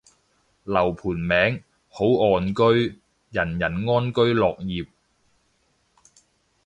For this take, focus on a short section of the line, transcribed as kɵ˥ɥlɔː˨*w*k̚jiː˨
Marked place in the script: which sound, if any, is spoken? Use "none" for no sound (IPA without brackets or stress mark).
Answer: none